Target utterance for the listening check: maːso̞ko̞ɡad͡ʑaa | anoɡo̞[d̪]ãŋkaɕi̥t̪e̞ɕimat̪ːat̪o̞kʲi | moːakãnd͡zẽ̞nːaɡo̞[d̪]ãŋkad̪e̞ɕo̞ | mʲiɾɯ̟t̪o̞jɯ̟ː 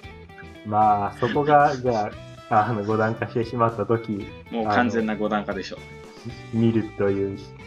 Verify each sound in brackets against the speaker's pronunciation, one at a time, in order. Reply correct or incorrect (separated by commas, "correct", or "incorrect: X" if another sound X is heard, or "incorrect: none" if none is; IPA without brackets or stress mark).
correct, correct